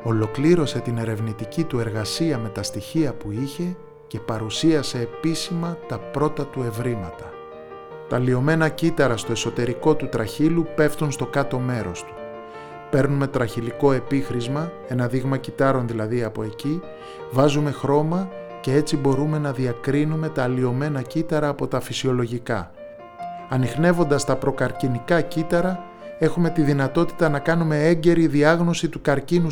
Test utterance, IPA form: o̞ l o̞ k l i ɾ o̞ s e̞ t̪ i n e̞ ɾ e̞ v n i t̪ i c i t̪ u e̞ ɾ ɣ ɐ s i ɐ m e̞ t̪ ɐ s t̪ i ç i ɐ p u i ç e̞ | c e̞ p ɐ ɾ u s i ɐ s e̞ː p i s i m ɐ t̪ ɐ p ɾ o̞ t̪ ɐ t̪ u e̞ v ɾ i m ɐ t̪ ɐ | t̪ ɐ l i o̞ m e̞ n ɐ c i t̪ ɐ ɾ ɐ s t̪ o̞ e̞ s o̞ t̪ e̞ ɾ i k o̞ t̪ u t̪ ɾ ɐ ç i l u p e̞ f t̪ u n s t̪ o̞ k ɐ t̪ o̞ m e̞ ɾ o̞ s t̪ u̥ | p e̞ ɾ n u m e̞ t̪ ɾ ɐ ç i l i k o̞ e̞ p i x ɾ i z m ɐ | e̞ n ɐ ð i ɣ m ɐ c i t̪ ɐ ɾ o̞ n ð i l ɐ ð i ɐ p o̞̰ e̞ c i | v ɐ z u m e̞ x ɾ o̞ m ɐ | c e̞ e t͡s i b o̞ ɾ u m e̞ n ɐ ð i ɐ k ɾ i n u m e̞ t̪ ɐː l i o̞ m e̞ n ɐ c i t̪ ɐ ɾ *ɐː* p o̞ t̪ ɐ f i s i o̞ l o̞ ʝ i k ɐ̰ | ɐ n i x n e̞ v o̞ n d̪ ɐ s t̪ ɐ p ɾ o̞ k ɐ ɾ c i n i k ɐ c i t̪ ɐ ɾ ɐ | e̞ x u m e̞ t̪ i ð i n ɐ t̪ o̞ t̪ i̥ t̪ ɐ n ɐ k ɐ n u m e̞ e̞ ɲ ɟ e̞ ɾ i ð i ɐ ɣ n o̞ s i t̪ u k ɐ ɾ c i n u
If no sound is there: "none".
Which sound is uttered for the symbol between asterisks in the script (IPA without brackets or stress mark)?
ɐː